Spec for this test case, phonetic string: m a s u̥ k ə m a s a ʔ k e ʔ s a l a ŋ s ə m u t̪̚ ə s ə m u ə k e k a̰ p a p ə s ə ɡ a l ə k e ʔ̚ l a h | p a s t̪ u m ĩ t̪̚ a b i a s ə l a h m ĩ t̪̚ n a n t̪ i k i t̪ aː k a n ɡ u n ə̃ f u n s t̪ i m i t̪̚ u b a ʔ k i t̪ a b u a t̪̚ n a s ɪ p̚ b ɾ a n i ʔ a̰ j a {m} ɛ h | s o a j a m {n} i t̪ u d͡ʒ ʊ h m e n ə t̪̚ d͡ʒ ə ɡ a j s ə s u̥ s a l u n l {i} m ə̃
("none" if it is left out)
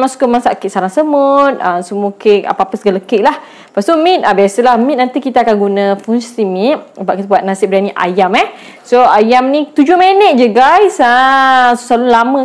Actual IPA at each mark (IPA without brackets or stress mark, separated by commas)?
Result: m, n, a